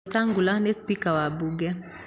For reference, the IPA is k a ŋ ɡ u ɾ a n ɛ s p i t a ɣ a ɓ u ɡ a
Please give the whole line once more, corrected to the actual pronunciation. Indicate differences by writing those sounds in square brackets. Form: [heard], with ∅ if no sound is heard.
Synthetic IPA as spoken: [t] a ŋ ɡ u [l] a n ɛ s p i [k] a [w] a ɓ u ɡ [ɛ]